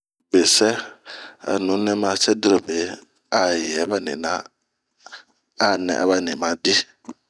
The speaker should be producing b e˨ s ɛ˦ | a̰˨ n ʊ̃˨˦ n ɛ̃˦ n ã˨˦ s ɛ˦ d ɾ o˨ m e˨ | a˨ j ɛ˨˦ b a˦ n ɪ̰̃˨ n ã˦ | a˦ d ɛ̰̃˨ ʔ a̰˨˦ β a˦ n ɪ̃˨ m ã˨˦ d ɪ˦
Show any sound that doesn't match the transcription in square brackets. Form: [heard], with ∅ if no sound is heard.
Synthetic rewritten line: b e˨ s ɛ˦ | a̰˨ n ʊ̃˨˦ n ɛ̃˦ [m] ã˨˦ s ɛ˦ d ɾ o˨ [b] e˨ | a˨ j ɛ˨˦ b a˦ n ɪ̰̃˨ n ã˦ | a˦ [n] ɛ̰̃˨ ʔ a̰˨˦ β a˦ n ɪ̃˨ m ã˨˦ d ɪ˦